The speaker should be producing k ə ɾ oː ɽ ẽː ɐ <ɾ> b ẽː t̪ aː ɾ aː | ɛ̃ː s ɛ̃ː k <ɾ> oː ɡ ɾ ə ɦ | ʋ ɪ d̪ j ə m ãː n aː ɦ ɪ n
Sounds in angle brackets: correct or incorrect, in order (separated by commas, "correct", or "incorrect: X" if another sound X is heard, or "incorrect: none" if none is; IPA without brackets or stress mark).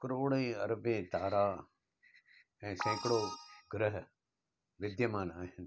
correct, incorrect: ɽ